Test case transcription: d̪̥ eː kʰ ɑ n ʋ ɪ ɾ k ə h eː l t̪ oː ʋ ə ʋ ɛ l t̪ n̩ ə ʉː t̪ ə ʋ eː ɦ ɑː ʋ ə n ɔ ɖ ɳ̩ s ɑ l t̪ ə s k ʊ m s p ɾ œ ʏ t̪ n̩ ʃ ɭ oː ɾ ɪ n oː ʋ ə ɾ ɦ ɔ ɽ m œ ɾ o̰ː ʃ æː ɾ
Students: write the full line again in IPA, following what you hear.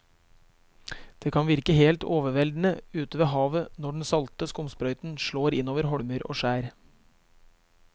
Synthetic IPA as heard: d̪̥ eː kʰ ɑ n ʋ ɪ ɾ k ə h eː l t̪ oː ʋ ə ʋ ɛ l d̪ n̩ ə ʉː t̪ ə ʋ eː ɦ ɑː ʋ ə n ɔ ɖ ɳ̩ s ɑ l t̪ ə s k ʊ m s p ɾ œ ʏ t̪ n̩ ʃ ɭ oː ɾ ɪ n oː ʋ ə ɾ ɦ ɔ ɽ m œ ɾ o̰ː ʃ æː ɾ

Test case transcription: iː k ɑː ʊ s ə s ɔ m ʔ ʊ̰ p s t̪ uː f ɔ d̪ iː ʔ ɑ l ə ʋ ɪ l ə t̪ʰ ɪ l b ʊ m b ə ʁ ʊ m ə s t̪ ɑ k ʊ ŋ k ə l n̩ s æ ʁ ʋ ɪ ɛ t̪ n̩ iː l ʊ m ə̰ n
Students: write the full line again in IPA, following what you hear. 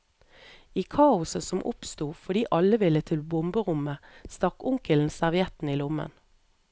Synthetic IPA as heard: iː kʰ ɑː ʊ s ə s ɔ m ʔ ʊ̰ p s t̪ uː f ɔ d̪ iː ʔ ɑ l ə ʋ ɪ l ə t̪ʰ ɪ l b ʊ m b ə ʁ ʊ m ə s t̪ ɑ k ʊ ŋ k ə l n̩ s æ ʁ ʋ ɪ ɛ t̪ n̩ iː l ʊ m ə̰ n

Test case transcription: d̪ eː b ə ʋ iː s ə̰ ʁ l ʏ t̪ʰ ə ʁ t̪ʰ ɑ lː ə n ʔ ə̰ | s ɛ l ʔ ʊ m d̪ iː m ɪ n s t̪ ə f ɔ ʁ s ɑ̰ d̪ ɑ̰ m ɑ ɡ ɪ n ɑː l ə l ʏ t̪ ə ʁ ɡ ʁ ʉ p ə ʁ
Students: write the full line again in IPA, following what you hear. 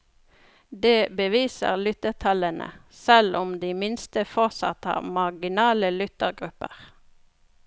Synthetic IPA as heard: d̪ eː b ə ʋ iː s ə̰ ʁ l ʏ t̪ ə ʁ t̪ʰ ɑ l ə n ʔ ə̰ | s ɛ l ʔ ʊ m d̪ iː m ɪ n s t̪ ə f ɔ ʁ s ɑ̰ t̪ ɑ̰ m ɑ ɡ ɪ n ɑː l ə l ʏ t̪ ə ʁ ɡ ʁ ʉ p ə ʁ

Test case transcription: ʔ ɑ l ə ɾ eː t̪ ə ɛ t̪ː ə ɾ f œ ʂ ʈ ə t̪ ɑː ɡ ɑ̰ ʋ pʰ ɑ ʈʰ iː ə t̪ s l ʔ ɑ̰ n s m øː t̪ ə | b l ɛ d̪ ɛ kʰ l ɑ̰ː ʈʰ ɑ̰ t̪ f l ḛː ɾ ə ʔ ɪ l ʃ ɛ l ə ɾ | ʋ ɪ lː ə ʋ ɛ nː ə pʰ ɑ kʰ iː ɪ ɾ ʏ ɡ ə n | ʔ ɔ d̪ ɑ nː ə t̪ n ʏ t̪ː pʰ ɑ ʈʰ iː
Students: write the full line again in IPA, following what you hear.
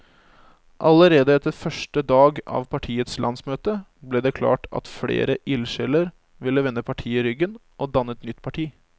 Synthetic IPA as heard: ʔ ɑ l ə ɾ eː d̪ ə ɛ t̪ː ə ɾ f œ ʂ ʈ ə d̪ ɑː ɡ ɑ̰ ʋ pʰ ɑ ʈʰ iː ə t̪ s l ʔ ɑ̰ n s m øː t̪ ə | b l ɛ d̪ ɛ kʰ l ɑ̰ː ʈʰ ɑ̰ t̪ f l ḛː ɾ ə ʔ ɪ l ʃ ɛ l ə ɾ | ʋ ɪ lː ə ʋ ɛ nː ə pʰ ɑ ʈʰ iː ɪ ɾ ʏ ɡ ə n | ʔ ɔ d̪ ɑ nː ə t̪ n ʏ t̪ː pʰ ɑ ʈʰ iː

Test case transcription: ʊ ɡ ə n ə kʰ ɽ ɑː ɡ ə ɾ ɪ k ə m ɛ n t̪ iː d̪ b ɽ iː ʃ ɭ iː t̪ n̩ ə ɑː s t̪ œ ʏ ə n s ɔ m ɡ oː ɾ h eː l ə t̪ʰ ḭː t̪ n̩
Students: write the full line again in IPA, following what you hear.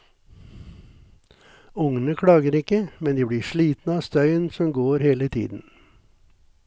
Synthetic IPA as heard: ʊ ŋ ə n ə kʰ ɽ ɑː ɡ ə ɾ ɪ k ə m ɛ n d̪ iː b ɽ iː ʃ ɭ iː t̪ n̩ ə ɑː s t̪ œ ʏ ə n s ɔ m ɡ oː ɾ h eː l ə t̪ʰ ḭː d̪ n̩

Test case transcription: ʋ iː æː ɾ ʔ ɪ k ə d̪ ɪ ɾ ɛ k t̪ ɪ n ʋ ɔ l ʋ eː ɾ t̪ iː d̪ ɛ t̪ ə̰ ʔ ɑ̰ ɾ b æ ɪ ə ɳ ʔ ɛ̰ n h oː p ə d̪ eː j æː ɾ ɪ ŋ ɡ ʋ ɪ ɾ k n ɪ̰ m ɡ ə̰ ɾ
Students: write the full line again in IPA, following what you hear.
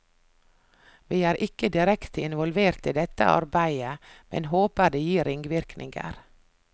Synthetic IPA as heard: ʋ iː æː ɾ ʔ ɪ k ə d̪ ɪ ɾ ɛ k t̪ ɪ n ʋ ɔ l ʋ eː ɾ t̪ iː d̪ ɛ t̪ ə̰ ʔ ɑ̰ ɾ b æ ɪ ə m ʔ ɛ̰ n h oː p ə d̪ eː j iː ɾ ɪ ŋ ɡ ʋ ɪ ɾ k n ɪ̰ ŋ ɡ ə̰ ɾ

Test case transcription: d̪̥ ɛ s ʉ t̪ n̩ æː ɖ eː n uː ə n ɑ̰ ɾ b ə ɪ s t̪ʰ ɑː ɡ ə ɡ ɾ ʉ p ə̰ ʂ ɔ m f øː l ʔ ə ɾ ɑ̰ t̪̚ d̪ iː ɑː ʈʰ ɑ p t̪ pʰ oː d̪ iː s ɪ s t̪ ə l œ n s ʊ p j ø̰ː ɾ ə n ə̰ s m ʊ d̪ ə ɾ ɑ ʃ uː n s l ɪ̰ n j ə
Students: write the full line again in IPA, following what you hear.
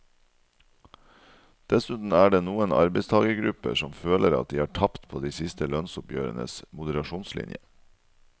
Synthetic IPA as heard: d̪̥ ɛ s ʉ t̪ n̩ æː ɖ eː n uː ə n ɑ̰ ɾ b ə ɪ s t̪ʰ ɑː ɡ ə ɡ ɾ ʉ p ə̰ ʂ ɔ m f øː l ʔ ə ɾ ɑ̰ t̪̚ d̪ iː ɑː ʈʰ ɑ p t̪ pʰ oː d̪ iː s ɪ s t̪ ə l œ n s ʊ p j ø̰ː ɾ ə n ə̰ s m ʊ d̪ ə ɾ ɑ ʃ uː n s l ɪ̰ n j ə

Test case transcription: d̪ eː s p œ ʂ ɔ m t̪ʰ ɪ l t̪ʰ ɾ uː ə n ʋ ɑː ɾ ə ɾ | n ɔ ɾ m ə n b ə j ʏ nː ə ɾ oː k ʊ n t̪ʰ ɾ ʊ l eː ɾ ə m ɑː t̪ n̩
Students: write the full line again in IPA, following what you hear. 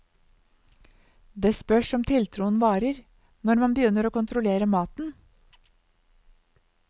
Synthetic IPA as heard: d̪ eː s p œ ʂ ɔ m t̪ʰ ɪ l t̪ʰ ɾ uː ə n ʋ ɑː ɾ ə ɾ | n ɔ ɾ m ɑ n b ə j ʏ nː ə ɾ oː k ʊ n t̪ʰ ɾ ʊ l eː ɾ ə m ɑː t̪ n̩

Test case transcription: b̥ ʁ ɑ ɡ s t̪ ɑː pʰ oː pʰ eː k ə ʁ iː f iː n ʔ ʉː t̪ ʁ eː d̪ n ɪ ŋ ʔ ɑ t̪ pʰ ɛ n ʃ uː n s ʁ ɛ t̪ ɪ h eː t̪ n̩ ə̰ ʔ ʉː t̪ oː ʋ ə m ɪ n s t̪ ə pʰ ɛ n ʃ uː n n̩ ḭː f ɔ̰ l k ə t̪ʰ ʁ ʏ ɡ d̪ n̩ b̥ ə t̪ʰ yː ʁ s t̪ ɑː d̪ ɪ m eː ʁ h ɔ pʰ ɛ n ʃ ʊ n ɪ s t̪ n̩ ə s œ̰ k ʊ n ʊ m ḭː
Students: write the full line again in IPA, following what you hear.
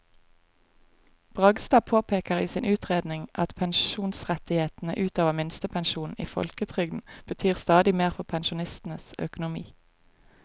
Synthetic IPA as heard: b̥ ʁ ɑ ɡ s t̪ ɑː pʰ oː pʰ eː k ə ʁ iː s iː n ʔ ʉː t̪ ʁ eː d̪ n ɪ ŋ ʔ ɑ t̪ pʰ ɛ n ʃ uː n s ʁ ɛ t̪ ɪ h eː t̪ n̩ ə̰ ʔ ʉː t̪ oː ʋ ə m ɪ n s t̪ ə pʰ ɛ n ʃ uː n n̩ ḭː f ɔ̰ l k ə t̪ʰ ʁ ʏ ɡ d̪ n̩ b̥ ə t̪ʰ yː ʁ s t̪ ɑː d̪ ɪ m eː ʁ f ɔ pʰ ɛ n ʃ ʊ n ɪ s t̪ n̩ ə s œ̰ k ʊ n ʊ m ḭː

